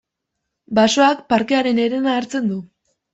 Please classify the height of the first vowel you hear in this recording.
low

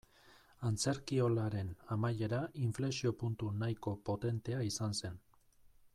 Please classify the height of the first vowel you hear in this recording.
low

